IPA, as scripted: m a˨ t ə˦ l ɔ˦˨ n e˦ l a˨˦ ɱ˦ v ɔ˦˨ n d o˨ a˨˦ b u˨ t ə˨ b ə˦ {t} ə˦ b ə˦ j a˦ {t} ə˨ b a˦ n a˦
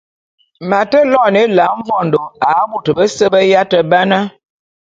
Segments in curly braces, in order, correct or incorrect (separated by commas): incorrect, correct